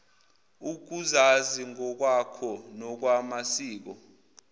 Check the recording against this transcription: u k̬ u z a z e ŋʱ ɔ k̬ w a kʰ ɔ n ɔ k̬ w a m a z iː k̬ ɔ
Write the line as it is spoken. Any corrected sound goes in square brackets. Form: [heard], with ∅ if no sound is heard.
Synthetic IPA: u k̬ u z a z [i] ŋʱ ɔ k̬ w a kʰ ɔ n ɔ k̬ w a m a [s] iː k̬ ɔ